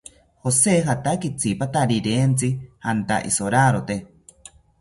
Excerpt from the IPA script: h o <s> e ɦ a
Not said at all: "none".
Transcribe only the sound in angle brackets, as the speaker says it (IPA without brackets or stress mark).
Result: s